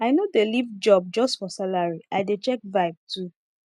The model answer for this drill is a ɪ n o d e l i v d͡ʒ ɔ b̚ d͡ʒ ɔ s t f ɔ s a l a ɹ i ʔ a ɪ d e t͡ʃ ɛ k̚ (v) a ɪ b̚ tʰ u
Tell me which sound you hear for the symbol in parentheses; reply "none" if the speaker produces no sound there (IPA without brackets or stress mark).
v